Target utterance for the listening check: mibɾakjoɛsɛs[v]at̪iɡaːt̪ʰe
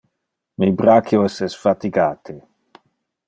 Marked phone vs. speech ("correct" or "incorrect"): incorrect